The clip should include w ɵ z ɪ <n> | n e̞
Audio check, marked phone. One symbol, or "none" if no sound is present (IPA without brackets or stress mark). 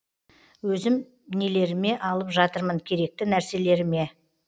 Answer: m